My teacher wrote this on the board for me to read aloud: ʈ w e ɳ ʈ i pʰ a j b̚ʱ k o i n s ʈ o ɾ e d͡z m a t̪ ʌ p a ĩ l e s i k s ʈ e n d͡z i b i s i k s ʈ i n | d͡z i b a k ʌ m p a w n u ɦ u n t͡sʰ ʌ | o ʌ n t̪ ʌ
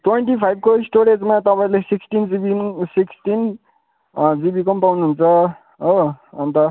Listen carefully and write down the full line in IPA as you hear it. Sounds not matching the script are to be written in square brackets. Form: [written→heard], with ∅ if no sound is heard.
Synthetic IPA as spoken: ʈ w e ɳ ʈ i pʰ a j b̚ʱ k o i [n→∅] s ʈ o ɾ e d͡z m a t̪ ʌ p a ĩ l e s i k s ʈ [e→i] n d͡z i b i s i k s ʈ i n | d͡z i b [a→i] k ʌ m p a w n u ɦ u n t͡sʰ ʌ | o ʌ n t̪ ʌ